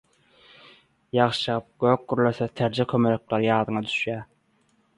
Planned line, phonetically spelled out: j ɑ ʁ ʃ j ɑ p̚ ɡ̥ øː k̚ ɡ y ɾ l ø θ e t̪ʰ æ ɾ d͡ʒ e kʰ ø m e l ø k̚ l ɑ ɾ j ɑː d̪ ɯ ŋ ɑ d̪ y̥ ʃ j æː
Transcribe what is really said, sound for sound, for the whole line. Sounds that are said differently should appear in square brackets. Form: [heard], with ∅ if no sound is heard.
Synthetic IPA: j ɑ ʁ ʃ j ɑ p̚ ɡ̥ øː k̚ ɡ y ɾ l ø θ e t̪ʰ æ ɾ d͡ʒ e kʰ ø m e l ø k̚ l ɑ ɾ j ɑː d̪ ɯ ŋ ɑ d̪ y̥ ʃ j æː